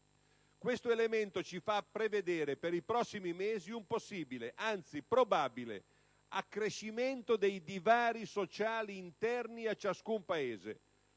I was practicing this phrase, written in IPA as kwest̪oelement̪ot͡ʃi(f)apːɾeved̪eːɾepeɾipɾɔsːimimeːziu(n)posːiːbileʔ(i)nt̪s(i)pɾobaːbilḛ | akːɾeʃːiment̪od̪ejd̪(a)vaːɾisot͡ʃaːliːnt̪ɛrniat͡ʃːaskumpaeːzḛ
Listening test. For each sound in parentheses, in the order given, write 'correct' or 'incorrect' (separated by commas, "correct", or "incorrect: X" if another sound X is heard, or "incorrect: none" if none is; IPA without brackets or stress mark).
correct, incorrect: m, incorrect: a, correct, incorrect: i